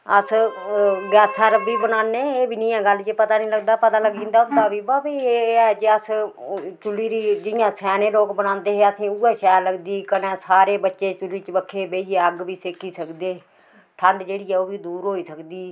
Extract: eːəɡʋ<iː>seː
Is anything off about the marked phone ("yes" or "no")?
no